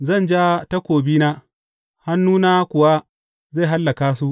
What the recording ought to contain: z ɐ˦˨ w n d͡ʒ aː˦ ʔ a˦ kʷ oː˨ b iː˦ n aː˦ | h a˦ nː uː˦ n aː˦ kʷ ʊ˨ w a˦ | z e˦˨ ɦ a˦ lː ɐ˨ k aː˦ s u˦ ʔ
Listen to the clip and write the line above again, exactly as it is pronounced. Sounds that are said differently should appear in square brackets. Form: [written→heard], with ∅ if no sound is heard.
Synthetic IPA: z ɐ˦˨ [w→∅] n d͡ʒ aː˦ [ʔ→t] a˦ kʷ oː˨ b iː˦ n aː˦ | h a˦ nː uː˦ n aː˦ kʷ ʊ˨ w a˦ | z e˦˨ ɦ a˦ lː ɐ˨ k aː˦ s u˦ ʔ

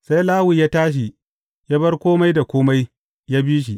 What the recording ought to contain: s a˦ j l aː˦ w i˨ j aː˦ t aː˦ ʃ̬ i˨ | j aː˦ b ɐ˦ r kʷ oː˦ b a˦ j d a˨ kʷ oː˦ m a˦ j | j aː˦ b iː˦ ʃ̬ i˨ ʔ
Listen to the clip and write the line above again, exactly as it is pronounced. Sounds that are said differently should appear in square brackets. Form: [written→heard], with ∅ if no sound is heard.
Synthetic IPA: s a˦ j l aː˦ w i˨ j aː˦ t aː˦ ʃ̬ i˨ | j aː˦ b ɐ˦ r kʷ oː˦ [b→m] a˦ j d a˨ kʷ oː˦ m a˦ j | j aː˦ b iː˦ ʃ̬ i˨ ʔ

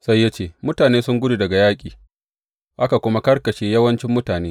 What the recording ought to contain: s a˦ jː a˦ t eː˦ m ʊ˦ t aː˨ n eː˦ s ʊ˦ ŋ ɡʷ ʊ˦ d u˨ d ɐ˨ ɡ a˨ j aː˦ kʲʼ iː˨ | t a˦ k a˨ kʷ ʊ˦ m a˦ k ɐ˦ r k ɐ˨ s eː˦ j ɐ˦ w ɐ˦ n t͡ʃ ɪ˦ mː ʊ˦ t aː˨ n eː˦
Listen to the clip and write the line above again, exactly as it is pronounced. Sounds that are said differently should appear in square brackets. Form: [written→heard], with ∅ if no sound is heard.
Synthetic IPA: s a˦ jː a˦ [t→t͡ʃ] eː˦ m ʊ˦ t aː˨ n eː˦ s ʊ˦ ŋ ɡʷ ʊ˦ d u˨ d ɐ˨ ɡ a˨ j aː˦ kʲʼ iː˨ | [t→ʔ] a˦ k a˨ kʷ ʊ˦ m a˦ k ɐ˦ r k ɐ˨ [s→ʃ] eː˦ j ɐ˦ w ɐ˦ n t͡ʃ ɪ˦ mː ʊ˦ t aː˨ n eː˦

